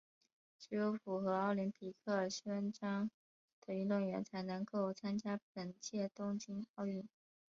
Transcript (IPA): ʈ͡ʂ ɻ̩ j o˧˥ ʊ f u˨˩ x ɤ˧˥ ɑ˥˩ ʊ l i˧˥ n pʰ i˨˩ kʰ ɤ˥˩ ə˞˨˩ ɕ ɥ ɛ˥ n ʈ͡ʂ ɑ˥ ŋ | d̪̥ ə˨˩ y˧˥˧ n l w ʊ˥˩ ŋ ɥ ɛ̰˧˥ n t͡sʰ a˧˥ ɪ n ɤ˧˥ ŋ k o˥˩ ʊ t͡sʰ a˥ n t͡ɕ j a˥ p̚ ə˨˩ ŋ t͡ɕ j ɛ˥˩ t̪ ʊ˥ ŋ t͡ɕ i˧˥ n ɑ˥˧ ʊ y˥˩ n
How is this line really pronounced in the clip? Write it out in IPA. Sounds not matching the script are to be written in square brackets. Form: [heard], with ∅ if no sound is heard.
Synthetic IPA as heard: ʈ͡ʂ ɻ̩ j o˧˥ ʊ f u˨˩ x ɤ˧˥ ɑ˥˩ ʊ l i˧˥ n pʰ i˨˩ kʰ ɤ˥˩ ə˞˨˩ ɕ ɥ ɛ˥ n ʈ͡ʂ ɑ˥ ŋ | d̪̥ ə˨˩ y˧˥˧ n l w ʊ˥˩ ŋ ɥ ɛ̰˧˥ n t͡sʰ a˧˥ ɪ n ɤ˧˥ ŋ k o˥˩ ʊ t͡sʰ a˥ n t͡ɕ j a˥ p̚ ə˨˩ [n] t͡ɕ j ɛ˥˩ t̪ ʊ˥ ŋ t͡ɕ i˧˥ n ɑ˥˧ ʊ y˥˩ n